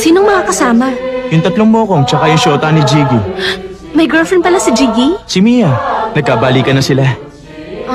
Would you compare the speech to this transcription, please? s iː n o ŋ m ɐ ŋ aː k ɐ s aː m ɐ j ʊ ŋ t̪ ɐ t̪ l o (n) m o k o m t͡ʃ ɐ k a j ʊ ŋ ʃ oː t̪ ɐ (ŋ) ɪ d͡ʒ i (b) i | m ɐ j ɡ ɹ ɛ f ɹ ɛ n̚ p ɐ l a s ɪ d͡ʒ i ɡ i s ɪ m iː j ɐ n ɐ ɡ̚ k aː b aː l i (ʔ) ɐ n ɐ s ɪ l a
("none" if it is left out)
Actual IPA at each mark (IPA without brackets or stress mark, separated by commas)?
ŋ, n, ɡ, k